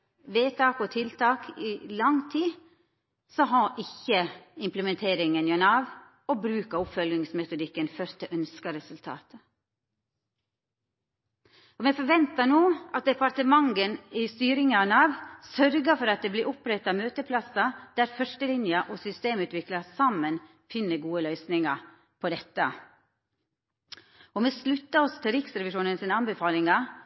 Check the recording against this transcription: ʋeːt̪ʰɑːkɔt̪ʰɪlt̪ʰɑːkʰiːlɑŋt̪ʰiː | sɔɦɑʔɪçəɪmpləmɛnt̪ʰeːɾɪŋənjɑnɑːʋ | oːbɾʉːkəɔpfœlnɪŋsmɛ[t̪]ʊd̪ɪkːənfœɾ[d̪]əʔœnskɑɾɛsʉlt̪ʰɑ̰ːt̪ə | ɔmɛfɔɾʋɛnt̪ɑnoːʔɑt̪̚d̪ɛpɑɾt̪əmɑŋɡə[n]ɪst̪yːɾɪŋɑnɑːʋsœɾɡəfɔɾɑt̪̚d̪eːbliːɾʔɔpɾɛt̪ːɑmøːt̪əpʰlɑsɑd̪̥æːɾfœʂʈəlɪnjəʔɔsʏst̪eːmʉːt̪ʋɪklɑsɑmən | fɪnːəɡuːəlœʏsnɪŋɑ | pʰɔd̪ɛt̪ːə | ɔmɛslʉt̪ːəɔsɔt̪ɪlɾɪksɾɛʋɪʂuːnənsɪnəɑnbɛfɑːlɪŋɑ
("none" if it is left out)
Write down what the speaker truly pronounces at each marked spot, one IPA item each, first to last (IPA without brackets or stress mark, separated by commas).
t̪, t̪, n